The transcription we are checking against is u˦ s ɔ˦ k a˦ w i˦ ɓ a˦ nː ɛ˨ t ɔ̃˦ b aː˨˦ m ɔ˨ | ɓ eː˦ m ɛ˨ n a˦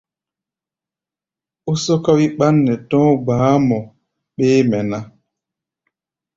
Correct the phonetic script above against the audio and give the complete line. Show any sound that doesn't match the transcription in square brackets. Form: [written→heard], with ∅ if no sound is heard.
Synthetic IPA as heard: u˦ s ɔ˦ k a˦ w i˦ ɓ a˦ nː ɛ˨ t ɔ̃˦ b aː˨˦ m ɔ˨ | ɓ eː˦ m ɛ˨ n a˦